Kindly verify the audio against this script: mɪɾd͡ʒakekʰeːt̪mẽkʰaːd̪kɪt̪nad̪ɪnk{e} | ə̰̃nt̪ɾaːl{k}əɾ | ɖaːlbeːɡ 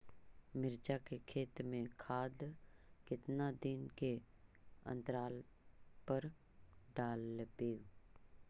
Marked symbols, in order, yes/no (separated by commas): yes, no